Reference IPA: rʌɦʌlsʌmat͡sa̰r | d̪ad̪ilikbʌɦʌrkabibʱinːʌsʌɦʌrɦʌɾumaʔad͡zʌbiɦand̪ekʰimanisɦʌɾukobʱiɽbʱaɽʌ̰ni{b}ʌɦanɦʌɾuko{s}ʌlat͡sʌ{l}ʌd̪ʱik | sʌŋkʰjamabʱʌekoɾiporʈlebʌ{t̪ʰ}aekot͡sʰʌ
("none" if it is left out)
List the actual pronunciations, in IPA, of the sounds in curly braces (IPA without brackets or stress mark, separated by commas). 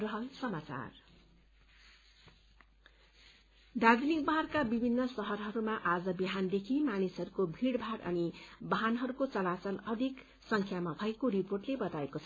b, t͡s, l, t̪